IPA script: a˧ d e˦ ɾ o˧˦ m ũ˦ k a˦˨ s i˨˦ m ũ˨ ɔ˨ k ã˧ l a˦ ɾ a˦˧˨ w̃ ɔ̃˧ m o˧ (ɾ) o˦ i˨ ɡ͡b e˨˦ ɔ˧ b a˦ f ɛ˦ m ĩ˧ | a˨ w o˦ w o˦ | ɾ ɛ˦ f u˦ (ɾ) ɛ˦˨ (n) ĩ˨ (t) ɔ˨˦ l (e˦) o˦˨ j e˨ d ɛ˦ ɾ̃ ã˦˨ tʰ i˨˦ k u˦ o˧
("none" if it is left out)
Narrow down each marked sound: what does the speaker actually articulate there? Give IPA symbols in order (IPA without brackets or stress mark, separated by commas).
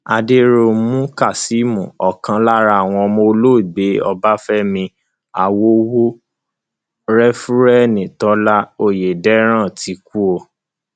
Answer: l, ɾ, n, t, a˦